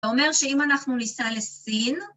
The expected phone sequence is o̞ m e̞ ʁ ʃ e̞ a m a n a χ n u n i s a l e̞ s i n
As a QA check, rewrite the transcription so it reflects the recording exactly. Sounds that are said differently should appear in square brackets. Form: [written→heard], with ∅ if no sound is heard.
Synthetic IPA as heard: o̞ m e̞ ʁ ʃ e̞ [a→i] m a n a χ n u n i s a l e̞ s i n